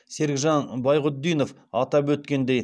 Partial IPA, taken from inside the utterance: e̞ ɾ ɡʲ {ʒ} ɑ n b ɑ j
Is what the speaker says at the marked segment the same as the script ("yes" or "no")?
yes